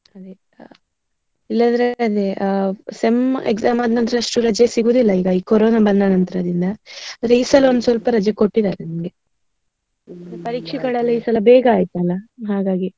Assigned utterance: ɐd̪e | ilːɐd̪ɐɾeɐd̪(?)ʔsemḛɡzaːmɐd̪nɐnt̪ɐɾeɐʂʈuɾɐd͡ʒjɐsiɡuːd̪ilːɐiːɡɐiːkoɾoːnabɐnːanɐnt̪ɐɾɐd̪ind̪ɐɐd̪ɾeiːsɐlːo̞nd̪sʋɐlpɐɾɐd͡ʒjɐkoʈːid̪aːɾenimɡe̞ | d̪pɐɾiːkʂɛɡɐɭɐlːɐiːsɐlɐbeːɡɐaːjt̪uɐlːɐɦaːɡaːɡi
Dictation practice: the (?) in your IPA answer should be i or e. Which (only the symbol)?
e